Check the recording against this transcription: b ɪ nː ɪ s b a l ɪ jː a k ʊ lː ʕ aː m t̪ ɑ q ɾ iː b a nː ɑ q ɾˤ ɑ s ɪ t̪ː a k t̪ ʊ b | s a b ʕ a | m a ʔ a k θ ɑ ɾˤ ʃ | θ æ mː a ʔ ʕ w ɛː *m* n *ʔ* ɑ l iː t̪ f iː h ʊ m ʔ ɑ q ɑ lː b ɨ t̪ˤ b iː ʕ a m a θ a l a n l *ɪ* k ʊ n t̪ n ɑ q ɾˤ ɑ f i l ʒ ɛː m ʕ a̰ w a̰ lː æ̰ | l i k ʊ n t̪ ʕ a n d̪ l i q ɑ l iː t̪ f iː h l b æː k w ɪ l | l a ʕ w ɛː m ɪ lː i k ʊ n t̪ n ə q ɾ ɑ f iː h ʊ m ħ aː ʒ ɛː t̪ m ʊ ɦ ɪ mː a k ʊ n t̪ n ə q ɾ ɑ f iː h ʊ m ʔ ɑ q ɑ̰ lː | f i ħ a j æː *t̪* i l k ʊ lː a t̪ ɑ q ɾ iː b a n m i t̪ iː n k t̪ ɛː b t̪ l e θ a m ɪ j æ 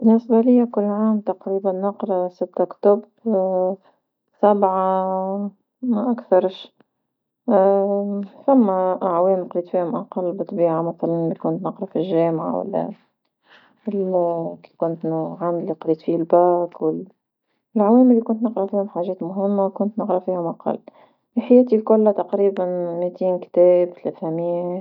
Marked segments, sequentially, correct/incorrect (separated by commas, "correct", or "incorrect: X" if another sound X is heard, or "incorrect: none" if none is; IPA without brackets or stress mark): correct, incorrect: q, incorrect: i, correct